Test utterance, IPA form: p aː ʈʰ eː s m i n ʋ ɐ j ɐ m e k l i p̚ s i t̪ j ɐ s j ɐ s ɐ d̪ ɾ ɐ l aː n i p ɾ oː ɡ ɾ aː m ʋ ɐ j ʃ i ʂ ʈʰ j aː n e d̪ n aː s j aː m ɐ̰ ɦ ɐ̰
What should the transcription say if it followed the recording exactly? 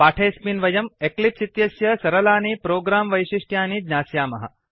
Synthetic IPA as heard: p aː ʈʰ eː s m i n ʋ ɐ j ɐ m e k l i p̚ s i t̪ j ɐ s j ɐ s ɐ ɾ ɐ l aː n i p ɾ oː ɡ ɾ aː m ʋ ɐ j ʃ i ʂ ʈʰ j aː n i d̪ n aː s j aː m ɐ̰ ɦ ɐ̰